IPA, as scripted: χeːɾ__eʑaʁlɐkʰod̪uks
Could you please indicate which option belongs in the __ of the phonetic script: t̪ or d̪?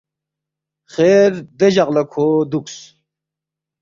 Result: d̪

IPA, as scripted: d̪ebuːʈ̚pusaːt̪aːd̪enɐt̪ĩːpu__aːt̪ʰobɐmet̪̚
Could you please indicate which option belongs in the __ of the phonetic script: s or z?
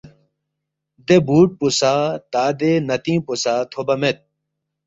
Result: s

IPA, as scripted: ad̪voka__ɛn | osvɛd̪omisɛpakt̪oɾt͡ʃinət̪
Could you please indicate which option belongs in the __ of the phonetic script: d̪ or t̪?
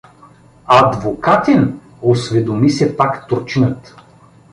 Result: t̪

